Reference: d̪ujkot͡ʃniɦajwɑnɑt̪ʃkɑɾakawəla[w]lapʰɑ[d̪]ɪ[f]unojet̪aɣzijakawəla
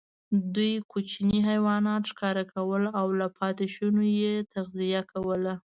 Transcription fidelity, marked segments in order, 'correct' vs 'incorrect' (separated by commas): correct, incorrect, incorrect